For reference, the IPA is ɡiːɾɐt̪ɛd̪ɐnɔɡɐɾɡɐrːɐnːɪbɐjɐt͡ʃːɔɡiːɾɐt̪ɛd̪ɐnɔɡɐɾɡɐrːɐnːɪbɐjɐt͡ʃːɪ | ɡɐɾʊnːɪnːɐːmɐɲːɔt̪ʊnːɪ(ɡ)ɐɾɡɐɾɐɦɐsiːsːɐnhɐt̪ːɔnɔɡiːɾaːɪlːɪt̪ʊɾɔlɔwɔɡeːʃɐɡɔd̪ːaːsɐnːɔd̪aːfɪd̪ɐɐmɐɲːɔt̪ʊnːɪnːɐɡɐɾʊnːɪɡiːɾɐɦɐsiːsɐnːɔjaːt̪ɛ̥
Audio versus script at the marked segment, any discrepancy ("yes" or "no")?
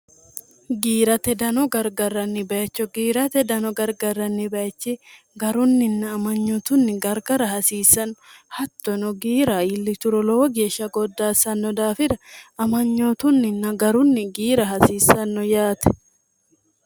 no